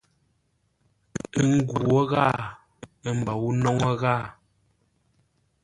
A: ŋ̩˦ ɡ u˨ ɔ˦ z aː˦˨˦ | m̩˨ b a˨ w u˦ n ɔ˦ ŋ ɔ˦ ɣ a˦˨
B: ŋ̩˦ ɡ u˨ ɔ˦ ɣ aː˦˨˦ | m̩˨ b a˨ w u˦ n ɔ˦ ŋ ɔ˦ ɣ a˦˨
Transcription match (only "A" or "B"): B